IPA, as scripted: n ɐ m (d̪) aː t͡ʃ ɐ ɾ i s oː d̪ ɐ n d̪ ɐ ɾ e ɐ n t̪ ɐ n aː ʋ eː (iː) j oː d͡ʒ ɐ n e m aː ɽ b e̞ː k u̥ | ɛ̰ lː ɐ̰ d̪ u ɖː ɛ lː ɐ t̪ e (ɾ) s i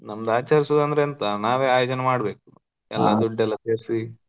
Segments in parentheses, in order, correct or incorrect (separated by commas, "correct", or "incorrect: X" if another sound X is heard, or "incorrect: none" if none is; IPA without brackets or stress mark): correct, incorrect: aː, correct